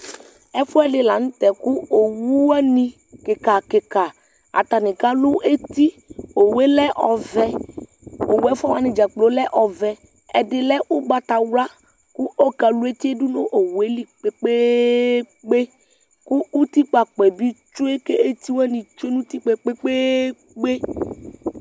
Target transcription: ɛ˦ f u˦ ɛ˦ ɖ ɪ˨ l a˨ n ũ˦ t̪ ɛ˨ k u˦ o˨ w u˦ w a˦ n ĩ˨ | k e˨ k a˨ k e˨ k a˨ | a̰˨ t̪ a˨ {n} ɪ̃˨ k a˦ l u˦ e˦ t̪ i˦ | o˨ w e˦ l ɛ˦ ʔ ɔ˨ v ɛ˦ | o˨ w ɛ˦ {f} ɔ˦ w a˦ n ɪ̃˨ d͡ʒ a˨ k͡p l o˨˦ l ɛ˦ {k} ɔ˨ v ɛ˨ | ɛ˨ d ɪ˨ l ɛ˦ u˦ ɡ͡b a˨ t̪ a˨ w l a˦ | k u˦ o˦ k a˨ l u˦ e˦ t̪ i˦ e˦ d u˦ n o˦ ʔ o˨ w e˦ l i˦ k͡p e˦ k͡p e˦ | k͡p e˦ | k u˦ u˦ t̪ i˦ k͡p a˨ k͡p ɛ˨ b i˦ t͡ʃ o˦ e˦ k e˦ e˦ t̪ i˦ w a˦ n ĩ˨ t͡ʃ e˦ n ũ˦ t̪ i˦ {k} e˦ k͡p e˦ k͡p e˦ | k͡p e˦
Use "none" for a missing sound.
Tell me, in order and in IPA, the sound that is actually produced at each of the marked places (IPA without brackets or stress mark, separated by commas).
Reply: n, f, ʔ, k͡p